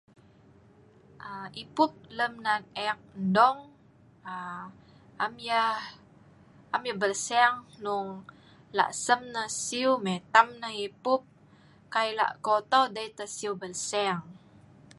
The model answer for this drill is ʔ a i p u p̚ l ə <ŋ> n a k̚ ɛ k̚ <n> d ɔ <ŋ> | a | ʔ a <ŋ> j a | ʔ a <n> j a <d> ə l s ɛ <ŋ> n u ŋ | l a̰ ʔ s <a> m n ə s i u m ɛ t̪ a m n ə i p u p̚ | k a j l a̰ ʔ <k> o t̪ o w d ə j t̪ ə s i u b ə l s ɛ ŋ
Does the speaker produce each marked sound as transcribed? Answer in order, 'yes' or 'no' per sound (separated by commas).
no, yes, yes, no, no, no, yes, no, yes